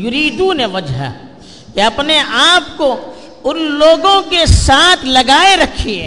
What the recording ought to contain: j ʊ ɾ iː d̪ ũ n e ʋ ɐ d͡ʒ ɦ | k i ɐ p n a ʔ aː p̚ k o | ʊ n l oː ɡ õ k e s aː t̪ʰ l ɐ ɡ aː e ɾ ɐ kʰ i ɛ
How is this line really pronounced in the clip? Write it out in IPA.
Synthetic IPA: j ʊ ɾ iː d̪ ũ n e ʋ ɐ d͡ʒ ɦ | k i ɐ p n e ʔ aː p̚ k o | ʊ n l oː ɡ õ k e s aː t̪ʰ l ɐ ɡ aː e ɾ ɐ kʰ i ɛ